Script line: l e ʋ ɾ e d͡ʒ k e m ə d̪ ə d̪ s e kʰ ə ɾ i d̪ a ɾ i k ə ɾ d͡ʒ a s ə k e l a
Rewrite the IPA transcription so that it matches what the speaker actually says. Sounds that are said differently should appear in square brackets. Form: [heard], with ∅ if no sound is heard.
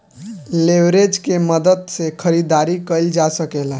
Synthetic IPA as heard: l e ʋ ɾ e d͡ʒ k e m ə d̪ ə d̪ s e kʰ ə ɾ i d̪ a ɾ i k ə [l] d͡ʒ a s ə k e l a